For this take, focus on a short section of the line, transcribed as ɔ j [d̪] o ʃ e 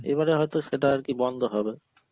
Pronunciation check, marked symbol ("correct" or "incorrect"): incorrect